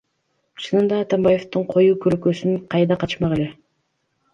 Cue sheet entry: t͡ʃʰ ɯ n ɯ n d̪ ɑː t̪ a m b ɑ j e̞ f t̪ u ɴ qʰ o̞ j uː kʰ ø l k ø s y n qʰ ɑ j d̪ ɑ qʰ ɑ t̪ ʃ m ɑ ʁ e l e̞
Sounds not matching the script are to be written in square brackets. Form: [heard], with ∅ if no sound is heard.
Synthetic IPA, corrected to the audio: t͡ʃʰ ɯ n ɯ n d̪ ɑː t̪ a m b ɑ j e̞ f t̪ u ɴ qʰ o̞ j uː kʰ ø l k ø s y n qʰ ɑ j d̪ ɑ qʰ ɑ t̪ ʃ m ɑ ʁ e l e̞